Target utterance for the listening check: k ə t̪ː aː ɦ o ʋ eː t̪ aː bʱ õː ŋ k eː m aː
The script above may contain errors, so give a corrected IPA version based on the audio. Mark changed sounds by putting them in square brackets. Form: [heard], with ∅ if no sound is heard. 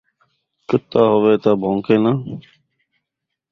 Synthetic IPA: k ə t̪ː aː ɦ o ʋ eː t̪ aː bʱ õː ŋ k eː [n] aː